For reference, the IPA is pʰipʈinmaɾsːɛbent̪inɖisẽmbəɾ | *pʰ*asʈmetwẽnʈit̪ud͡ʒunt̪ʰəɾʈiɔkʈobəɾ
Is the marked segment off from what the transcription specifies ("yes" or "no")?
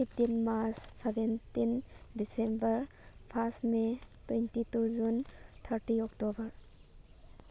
no